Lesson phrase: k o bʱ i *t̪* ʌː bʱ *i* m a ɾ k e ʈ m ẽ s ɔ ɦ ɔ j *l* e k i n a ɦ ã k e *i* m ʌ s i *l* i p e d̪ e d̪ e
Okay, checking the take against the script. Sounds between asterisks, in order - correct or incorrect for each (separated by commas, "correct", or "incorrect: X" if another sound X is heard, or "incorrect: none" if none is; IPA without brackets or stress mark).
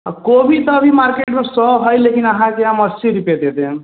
correct, correct, correct, incorrect: a, incorrect: ɾ